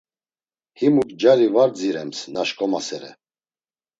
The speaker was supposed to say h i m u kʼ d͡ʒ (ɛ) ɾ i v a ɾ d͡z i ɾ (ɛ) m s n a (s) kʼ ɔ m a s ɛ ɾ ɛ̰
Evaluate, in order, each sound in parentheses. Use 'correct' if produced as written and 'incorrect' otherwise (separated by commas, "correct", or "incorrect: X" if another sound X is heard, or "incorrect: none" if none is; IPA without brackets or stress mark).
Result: incorrect: a, correct, incorrect: ʃ